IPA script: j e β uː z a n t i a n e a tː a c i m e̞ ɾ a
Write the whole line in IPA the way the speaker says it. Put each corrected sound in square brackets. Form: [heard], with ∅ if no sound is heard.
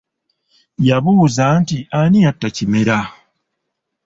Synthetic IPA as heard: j [a] β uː z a n t i a n [i] a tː a c i m e̞ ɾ a